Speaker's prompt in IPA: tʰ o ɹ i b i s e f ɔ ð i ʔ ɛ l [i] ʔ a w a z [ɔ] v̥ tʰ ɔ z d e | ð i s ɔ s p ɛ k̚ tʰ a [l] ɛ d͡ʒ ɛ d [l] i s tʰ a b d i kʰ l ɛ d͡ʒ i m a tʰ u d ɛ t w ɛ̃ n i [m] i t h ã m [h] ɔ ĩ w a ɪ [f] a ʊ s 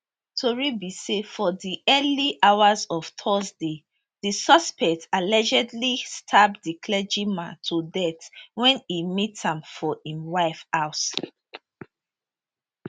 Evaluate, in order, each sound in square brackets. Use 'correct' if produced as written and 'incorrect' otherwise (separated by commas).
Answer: correct, correct, correct, correct, correct, incorrect, correct